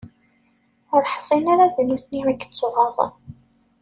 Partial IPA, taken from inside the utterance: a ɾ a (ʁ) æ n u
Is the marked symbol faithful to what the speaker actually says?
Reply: no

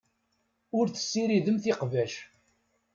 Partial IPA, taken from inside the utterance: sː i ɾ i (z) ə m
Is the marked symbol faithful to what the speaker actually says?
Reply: no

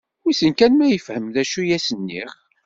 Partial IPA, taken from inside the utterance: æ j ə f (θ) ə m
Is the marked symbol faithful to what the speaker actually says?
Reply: no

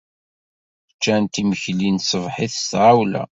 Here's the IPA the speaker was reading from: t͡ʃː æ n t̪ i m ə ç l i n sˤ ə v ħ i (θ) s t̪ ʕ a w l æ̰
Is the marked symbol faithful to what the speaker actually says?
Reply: yes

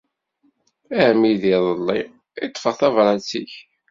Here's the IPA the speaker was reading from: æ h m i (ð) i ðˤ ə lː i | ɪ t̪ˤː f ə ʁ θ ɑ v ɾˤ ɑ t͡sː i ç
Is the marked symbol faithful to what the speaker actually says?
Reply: yes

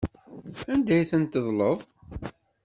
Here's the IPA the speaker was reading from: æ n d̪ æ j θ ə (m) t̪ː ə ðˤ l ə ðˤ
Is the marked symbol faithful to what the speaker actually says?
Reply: no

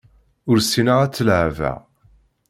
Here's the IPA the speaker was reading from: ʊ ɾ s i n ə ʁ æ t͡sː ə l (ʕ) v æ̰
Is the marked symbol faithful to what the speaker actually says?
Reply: yes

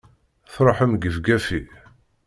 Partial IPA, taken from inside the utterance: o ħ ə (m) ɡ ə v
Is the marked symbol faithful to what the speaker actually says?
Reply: yes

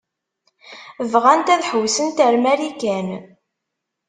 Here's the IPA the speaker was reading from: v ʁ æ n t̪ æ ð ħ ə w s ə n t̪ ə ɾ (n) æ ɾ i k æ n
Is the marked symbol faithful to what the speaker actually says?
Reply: no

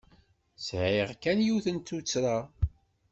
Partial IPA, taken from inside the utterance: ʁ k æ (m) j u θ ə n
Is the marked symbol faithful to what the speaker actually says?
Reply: no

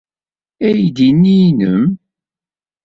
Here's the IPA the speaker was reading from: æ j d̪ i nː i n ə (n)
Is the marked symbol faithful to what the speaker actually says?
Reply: no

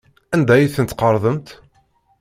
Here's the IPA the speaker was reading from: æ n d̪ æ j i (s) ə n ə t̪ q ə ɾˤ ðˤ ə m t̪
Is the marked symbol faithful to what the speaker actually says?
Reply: no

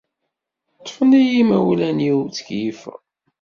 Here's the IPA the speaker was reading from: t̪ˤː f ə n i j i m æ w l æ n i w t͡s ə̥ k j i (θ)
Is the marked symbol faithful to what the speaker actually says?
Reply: no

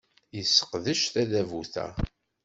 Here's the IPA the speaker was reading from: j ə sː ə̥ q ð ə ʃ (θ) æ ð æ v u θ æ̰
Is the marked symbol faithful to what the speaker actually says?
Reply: yes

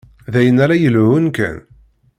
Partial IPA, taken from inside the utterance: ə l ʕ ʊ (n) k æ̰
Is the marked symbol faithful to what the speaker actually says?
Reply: yes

